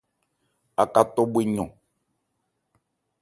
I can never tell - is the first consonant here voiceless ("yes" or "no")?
yes